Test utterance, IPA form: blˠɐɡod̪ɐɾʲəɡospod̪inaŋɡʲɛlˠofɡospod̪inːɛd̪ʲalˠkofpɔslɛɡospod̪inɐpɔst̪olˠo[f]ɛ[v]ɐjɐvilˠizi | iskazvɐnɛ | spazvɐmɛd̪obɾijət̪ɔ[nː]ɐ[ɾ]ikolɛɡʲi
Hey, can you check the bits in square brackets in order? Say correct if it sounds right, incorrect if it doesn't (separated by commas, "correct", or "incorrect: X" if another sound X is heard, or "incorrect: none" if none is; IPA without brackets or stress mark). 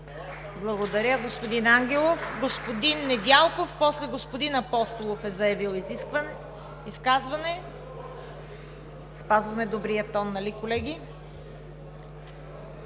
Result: correct, incorrect: z, correct, incorrect: l